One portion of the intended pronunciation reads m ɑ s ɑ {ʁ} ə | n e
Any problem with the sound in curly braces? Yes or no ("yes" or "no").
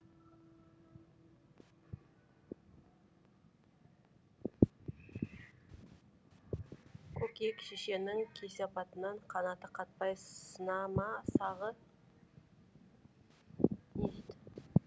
no